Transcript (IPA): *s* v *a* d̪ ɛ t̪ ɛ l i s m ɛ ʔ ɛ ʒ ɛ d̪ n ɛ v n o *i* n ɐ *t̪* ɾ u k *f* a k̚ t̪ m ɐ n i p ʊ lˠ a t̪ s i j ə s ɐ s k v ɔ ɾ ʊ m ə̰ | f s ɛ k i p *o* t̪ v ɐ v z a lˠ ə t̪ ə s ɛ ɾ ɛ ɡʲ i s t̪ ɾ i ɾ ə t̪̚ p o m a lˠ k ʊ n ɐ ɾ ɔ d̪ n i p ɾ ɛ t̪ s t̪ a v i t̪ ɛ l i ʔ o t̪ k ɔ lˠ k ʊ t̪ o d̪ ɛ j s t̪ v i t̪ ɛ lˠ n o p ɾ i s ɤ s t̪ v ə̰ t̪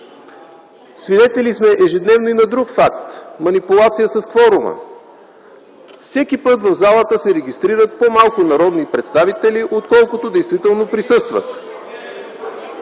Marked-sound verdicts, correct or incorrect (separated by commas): correct, incorrect, correct, incorrect, correct, incorrect